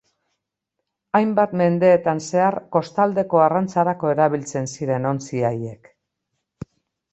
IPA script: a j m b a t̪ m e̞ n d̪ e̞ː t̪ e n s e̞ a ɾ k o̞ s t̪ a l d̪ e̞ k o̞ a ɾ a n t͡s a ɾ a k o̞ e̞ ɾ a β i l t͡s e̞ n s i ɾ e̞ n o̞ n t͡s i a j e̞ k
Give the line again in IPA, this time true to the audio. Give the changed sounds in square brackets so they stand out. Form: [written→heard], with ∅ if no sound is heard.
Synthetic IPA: a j m b a t̪ m e̞ n d̪ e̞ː t̪ [e→a] n s e̞ a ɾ k o̞ s t̪ a l d̪ e̞ k o̞ a [ɾ→r] a n t͡s a ɾ a k o̞ e̞ ɾ a β i l t͡s e̞ n s i ɾ e̞ n o̞ n t͡s i a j e̞ k